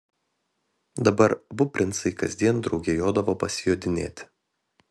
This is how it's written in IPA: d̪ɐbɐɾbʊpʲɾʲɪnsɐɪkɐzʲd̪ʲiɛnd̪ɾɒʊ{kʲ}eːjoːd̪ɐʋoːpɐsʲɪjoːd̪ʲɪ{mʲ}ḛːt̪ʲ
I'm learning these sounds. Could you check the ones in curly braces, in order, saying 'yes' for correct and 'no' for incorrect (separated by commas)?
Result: no, no